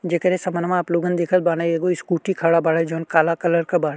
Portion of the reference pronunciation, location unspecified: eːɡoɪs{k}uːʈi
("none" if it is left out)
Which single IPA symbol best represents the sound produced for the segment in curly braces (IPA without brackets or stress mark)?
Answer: k